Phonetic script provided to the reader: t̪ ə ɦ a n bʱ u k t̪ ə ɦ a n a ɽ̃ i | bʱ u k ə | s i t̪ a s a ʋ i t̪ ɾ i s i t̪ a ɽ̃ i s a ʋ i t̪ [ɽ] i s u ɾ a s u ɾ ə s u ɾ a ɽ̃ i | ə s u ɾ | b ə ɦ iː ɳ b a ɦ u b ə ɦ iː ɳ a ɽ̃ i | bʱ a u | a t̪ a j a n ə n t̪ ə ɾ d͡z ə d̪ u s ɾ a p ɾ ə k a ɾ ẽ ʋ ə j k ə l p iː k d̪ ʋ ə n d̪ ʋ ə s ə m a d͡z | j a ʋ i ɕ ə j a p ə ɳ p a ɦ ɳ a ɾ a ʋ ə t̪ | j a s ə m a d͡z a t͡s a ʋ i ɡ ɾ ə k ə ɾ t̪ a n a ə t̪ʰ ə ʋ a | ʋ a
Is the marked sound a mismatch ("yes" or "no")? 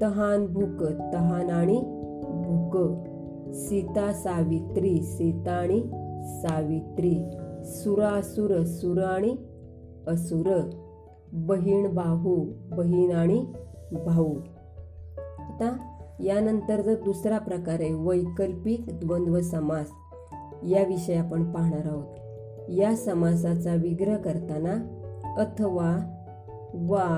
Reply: yes